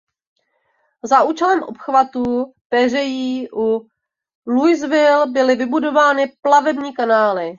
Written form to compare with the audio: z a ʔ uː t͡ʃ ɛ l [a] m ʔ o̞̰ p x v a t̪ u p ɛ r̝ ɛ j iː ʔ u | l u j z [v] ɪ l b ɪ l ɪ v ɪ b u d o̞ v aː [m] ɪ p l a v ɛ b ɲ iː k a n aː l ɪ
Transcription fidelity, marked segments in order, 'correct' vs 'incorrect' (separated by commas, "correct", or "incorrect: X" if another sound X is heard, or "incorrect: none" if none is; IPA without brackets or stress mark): incorrect: ɛ, correct, incorrect: n